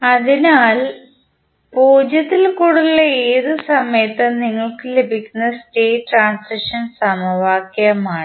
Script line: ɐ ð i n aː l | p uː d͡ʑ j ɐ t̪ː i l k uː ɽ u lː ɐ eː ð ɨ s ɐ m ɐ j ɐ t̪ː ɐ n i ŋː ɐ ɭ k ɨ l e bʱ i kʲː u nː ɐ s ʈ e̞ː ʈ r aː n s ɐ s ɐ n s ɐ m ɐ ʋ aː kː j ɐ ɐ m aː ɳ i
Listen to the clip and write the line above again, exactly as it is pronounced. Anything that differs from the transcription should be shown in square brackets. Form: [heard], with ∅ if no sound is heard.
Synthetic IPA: ɐ ð i n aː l | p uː d͡ʑ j ɐ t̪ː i l k uː ɽ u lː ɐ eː ð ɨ s ɐ m ɐ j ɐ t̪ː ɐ n i ŋː ɐ ɭ k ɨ l e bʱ i kʲː u nː ɐ s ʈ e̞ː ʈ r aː n s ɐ [ʂ] ɐ n s ɐ m ɐ ʋ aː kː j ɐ ɐ m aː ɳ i